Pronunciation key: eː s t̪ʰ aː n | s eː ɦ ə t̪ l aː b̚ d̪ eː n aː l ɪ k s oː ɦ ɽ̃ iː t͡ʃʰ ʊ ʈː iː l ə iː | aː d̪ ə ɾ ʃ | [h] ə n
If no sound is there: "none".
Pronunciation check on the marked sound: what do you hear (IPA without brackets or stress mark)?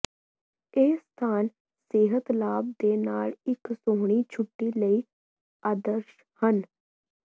h